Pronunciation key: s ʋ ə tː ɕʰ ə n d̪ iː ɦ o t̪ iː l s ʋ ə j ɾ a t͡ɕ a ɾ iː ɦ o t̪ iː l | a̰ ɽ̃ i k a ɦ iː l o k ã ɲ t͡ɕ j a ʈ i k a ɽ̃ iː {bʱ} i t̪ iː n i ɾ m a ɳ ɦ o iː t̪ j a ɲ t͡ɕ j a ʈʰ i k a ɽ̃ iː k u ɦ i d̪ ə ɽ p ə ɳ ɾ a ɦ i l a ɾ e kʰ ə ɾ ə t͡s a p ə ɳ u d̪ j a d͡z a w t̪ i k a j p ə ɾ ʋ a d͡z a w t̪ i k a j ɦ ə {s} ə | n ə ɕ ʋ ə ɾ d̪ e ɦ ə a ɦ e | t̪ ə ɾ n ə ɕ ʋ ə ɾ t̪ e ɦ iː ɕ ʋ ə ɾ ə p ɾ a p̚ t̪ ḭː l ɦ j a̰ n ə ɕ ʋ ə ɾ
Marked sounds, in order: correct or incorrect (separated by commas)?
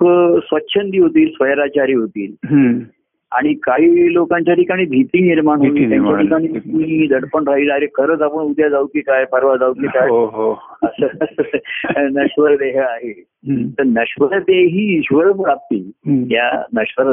correct, correct